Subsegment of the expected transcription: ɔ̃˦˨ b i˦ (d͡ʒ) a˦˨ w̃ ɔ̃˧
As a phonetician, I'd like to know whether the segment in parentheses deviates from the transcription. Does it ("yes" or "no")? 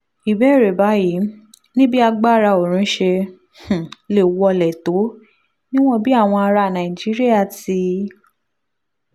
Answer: yes